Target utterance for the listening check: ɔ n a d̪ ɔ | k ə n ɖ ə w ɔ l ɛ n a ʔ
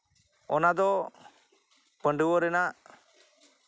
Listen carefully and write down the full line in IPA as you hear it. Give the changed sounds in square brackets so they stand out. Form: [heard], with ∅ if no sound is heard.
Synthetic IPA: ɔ n a d̪ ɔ | [p] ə [ɳ] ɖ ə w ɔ [ɾ] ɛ n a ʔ